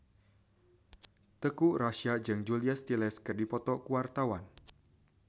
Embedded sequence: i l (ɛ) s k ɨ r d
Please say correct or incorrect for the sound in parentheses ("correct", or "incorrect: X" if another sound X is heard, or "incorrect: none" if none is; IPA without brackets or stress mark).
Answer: correct